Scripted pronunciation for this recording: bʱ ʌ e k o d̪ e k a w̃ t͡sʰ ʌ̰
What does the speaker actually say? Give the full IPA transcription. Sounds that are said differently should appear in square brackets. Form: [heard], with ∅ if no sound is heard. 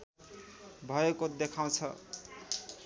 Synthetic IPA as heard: bʱ ʌ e k o d̪ e [kʰ] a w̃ t͡sʰ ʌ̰